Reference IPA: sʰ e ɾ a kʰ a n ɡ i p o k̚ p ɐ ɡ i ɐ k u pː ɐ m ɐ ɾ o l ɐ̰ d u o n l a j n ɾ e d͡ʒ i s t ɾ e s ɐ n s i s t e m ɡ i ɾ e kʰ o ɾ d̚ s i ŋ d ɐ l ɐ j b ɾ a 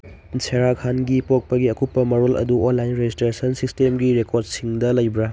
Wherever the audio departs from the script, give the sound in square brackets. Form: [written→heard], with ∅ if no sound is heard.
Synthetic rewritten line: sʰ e ɾ a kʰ a n ɡ i p o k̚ p ɐ ɡ i ɐ k u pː ɐ m ɐ ɾ o l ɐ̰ d u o n l a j n ɾ e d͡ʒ i s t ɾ e s ɐ n s i s t e m ɡ i ɾ e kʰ o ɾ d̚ s i ŋ d ɐ l ɐ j b ɾ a